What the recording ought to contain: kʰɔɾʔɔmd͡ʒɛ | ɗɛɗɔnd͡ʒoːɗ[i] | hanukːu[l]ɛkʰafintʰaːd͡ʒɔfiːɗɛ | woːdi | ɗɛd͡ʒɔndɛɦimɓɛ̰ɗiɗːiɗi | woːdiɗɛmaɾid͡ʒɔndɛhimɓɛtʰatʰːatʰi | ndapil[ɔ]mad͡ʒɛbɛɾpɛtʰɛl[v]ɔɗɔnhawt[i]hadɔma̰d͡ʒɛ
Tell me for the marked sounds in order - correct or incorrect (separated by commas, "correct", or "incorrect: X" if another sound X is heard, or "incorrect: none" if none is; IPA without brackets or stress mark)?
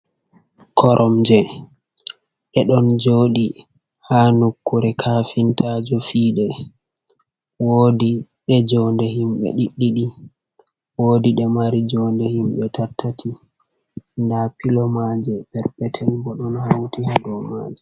correct, incorrect: ɾ, correct, incorrect: b, correct